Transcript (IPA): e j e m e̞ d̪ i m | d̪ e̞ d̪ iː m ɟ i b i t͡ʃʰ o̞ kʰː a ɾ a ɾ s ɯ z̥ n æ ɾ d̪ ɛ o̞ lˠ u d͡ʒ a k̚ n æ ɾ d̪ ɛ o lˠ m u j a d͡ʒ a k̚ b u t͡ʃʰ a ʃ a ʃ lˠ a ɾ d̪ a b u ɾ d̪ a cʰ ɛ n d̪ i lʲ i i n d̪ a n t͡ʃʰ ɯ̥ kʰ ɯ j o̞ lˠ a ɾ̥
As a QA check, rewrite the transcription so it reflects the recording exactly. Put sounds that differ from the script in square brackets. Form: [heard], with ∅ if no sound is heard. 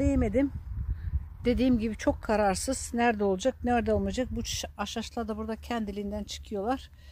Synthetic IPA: e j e m e̞ d̪ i m | d̪ e̞ d̪ iː m ɟ i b i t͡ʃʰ o̞ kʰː a ɾ a ɾ s ɯ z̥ n æ ɾ d̪ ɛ o̞ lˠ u d͡ʒ a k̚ n æ ɾ d̪ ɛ o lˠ m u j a d͡ʒ a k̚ b u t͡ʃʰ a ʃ a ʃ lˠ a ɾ d̪ a b u ɾ d̪ a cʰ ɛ n d̪ i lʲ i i n d̪ [æ] n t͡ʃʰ ɯ̥ kʰ ɯ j o̞ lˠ a ɾ̥